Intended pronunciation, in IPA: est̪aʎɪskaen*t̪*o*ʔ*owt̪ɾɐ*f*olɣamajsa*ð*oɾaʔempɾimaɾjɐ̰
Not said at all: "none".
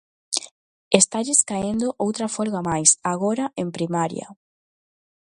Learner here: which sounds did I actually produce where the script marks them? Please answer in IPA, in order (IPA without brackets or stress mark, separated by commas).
d̪, ʔ, f, ɣ